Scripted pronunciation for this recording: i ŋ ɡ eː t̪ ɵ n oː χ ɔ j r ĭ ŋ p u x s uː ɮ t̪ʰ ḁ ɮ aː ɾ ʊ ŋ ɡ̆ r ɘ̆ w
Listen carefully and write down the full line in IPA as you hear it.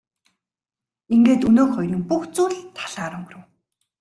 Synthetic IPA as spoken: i ŋ ɡ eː t̪ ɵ n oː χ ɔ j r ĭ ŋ p u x t͡s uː ɮ t̪ʰ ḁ ɮ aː ɾ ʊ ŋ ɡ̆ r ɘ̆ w